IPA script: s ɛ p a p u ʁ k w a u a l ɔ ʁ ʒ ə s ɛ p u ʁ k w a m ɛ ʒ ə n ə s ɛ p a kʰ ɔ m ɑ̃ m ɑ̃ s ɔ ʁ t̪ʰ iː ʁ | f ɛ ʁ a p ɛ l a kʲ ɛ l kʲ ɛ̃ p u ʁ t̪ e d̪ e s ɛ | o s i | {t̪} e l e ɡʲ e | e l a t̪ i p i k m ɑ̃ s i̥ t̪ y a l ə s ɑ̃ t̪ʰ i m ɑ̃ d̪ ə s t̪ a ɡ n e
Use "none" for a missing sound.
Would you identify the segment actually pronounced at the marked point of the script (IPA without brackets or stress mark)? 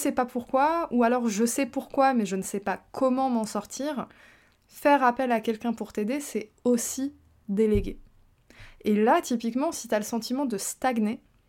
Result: d̪